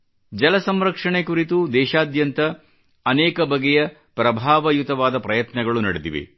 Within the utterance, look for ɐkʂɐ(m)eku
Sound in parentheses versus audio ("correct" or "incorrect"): incorrect